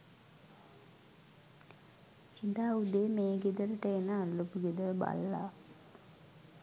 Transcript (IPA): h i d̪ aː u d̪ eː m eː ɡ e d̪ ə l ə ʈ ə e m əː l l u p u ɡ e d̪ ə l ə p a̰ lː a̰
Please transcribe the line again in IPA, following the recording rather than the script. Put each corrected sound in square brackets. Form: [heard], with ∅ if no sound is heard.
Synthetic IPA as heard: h i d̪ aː u d̪ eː m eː ɡ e d̪ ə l ə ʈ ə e [n] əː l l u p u ɡ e d̪ ə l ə [b] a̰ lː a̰

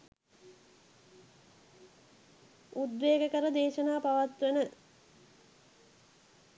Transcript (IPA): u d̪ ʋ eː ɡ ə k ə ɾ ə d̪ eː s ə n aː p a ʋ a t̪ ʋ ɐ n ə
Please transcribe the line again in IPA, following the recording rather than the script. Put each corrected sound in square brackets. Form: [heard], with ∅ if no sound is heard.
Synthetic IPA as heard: u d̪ ʋ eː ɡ ə k ə ɾ ə d̪ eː [ʃ] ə n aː p a ʋ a t̪ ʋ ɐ n ə

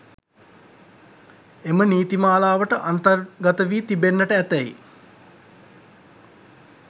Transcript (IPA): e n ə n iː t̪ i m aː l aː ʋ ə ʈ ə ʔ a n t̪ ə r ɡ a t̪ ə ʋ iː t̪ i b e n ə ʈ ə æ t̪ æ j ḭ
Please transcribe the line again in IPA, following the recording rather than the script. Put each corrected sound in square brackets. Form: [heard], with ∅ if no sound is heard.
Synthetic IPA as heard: e [m] ə n iː t̪ i m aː l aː ʋ ə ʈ ə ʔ a n t̪ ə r ɡ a t̪ ə ʋ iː t̪ i b e [nː] ə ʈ ə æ t̪ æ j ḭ

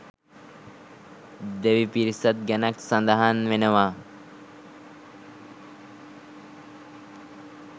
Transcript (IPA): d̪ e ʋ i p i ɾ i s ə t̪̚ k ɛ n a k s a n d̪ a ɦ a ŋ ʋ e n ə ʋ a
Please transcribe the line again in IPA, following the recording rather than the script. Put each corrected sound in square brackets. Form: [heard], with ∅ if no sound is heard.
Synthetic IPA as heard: d̪ e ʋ i p i ɾ i s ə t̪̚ [ɡ] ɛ n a k s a n d̪ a ɦ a [n] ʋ e n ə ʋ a

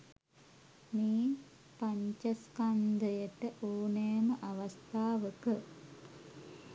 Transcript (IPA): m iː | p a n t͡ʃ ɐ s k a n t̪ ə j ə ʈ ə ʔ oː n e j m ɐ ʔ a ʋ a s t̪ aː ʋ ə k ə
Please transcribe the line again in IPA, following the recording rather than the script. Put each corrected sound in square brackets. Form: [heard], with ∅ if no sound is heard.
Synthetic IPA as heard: m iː | p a [ɲ] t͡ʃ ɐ s k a n [d̪] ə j ə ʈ ə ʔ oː n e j m [ə] ʔ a ʋ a s t̪ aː ʋ ə k ə

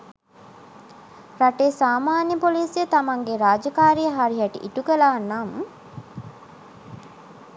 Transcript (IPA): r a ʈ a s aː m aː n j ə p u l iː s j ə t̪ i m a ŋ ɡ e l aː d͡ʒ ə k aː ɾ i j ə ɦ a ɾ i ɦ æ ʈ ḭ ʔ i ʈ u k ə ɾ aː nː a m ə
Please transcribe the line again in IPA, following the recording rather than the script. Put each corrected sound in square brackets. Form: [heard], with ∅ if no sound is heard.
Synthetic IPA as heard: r a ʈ [e] s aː m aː n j ə p [o] l iː s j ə t̪ [a] m a ŋ ɡ e [ɾ] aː d͡ʒ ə k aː ɾ i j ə ɦ a ɾ i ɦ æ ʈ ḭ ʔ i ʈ u k ə [l] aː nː a m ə

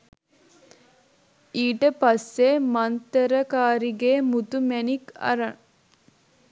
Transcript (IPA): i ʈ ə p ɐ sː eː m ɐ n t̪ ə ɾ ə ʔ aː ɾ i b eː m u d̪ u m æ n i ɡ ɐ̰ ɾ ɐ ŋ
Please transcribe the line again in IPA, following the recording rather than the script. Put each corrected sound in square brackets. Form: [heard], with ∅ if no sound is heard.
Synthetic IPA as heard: [iː] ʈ ə p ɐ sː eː m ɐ n t̪ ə ɾ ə [k] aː ɾ i [ɡ] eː m u [t̪] u m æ n i [k] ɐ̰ ɾ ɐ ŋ

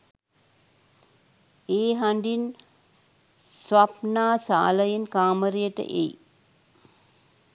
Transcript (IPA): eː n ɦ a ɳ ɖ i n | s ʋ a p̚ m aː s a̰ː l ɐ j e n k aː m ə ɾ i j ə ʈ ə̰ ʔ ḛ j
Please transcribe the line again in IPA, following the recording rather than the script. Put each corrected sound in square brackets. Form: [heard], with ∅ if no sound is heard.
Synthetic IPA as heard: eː [∅] ɦ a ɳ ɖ i n | s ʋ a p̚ [n] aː s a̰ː l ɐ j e n k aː m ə ɾ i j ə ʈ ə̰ ʔ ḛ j

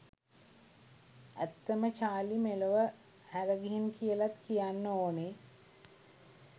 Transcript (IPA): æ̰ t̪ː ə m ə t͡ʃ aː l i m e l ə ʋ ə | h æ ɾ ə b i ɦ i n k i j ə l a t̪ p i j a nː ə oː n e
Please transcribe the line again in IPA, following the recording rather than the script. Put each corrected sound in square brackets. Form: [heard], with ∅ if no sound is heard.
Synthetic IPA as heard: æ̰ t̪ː ə m ə t͡ʃ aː l i m e l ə ʋ ə | h æ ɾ ə [ɡ] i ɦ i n k i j ə l a t̪ [k] i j a nː ə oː n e

